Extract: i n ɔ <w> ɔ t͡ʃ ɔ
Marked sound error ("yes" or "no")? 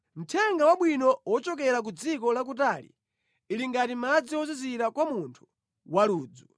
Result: no